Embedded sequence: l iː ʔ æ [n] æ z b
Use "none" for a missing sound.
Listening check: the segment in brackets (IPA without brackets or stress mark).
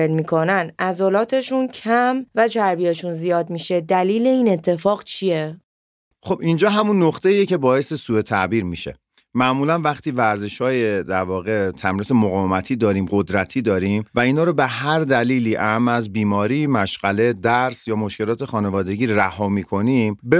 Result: m